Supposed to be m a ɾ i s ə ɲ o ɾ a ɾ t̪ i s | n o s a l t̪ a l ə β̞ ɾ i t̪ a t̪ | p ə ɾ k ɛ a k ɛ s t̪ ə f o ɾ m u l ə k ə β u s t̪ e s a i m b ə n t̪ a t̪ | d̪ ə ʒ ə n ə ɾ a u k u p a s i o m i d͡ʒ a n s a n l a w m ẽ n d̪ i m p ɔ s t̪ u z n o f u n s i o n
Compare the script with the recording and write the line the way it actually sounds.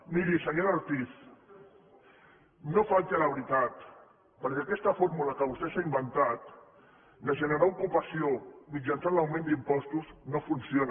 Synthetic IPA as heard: m i ɾ i s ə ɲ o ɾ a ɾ t̪ i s | n o f a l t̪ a l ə β̞ ɾ i t̪ a t̪ | p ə ɾ k ɛ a k ɛ s t̪ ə f o ɾ m u l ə k ə β u s t̪ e s a i m b ə n t̪ a t̪ | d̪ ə ʒ ə n ə ɾ a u k u p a s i o m i d͡ʒ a n s a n l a w m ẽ n d̪ i m p ɔ s t̪ u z n o f u n s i o n